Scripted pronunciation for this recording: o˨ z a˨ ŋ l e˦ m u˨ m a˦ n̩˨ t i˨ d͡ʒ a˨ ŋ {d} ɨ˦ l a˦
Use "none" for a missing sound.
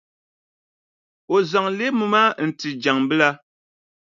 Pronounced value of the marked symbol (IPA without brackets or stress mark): b